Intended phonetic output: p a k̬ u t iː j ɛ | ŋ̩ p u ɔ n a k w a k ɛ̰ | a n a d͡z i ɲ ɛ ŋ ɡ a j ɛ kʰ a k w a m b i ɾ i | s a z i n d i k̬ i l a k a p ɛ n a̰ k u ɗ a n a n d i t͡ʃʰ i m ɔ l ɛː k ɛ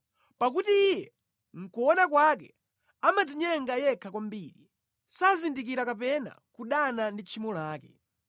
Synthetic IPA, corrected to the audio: p a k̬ u t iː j ɛ | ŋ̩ k u ɔ n a k w a k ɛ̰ | a m a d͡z i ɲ ɛ ŋ ɡ a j ɛ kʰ a k w a m b i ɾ i | s a z i n d i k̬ i ɾ a k a p ɛ n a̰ k u ɗ a n a n d i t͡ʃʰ i m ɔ l aː k ɛ